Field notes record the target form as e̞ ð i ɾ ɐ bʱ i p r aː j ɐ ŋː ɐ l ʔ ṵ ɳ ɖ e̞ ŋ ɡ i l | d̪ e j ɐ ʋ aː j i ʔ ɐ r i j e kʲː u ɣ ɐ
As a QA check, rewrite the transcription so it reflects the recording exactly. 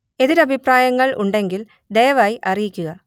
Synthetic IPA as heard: e̞ ð i ɾ ɐ bʱ i p r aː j ɐ ŋː ɐ ɭ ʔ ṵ ɳ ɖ e̞ ŋ ɡ i l | d̪ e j ɐ ʋ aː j i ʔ ɐ r i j i kʲː u ɣ ɐ

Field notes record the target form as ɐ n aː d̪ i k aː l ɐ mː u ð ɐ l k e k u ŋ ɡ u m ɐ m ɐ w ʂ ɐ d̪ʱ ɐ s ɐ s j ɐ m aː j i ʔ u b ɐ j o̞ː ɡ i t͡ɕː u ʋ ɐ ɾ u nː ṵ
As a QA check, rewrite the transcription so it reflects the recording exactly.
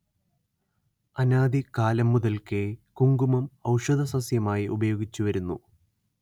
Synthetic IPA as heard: ɐ n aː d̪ i k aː l ɐ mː u ð ɐ l k e k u ŋ ɡ u m ɐ m ɐ w ʂ ɐ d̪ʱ ɐ s ɐ s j ɐ m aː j i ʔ u b ɐ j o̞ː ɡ i t͡ɕː u ʋ ɐ ɾ u nː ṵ

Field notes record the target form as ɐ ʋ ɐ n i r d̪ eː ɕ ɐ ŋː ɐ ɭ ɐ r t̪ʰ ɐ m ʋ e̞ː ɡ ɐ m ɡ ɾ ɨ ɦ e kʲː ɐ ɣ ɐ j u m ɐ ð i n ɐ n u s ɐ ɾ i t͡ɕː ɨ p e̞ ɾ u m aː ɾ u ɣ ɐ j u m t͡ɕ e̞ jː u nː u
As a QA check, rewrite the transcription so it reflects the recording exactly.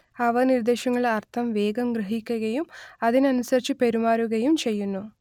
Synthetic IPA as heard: ɐ ʋ ɐ n i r d̪ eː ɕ ɐ ŋː ɐ ɭ ɐ r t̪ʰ ɐ m ʋ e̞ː ɡ ɐ m ɡ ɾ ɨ ɦ i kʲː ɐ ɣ ɐ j u m ɐ ð i n ɐ n u s ɐ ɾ i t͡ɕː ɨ p e̞ ɾ u m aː ɾ u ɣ ɐ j u m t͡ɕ e̞ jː u nː u

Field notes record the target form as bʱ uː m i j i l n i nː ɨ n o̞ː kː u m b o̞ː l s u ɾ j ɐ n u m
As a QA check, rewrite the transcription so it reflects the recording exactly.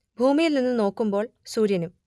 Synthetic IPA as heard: bʱ uː m i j i l n i nː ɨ n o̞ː kː u m b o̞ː ɭ s uː ɾ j ɐ n u m

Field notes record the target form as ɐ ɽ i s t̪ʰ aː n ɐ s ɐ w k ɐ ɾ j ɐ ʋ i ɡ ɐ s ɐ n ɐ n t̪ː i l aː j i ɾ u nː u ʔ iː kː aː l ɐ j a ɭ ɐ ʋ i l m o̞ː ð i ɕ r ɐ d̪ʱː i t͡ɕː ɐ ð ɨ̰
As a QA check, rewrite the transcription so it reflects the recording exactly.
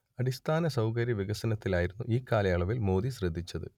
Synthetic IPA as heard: ɐ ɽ i s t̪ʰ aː n ɐ s ɐ w k ɐ ɾ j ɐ ʋ i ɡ ɐ s ɐ n ɐ t̪ː i l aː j i ɾ u nː u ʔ iː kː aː l ɐ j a ɭ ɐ ʋ i l m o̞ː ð i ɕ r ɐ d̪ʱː i t͡ɕː ɐ ð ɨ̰

